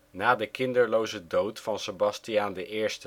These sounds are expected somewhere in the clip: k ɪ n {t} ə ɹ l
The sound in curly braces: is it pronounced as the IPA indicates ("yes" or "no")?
no